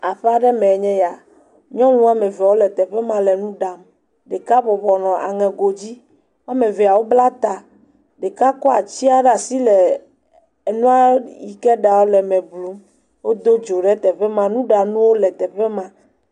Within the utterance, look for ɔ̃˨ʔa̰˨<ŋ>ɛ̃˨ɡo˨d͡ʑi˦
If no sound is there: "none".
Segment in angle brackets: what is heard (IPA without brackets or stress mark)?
ŋ